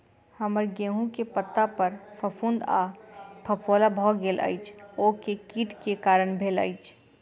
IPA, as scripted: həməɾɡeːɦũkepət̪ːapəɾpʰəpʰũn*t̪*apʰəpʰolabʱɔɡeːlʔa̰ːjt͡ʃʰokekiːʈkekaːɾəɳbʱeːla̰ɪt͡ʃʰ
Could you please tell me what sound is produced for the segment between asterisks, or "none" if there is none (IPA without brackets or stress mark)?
d̪